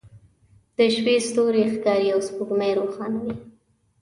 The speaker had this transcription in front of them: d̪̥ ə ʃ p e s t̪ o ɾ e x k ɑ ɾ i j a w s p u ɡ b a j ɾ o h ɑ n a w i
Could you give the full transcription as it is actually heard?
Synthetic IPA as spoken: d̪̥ ə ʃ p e s t̪ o ɾ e x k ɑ ɾ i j a w s p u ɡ m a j ɾ o x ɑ n a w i

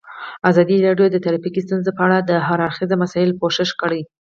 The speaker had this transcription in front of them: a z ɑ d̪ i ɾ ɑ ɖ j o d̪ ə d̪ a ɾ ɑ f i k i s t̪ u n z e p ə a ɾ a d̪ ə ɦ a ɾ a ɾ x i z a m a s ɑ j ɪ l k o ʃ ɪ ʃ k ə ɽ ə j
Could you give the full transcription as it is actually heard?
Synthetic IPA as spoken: a z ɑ d̪ i ɾ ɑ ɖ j o d̪ ə t̪ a ɾ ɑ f i k i s t̪ u n z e p ə a ɽ a d̪ ə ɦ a ɾ a ɾ x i z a m a s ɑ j ɪ l k o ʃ ɪ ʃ k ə ɽ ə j

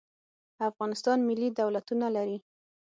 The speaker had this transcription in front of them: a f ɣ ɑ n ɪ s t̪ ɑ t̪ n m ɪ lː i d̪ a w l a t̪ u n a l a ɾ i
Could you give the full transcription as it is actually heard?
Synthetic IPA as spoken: a f ɣ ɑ n ɪ s t̪ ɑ n m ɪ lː i d̪ a w l a t̪ u n a l a ɾ i

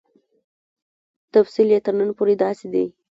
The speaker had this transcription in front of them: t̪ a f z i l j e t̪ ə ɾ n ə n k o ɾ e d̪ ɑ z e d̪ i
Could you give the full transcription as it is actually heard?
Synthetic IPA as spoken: t̪ a f s i l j e t̪ ə ɾ n ə n p o ɾ e d̪ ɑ s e d̪ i

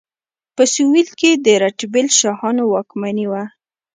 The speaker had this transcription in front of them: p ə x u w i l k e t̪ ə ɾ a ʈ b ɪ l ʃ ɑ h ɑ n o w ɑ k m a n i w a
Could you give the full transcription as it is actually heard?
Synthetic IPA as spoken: p ə s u w i l k e d̪ ə ɾ a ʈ b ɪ l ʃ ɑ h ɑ n o w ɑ k m a n i w a

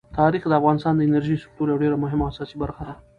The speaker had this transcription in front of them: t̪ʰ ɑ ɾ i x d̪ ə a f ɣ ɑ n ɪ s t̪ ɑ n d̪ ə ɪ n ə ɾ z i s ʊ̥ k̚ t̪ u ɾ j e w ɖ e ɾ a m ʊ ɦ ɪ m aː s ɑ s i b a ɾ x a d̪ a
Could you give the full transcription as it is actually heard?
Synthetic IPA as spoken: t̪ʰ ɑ ɾ i x d̪ ə a f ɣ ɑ n ɪ s t̪ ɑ n d̪ ə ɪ n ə ɾ ʒ i s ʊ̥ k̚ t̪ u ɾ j a w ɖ e ɾ a m ʊ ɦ ɪ m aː s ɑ s i b a ɾ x a d̪ a

